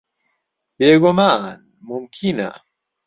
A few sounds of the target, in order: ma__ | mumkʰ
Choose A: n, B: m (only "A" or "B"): A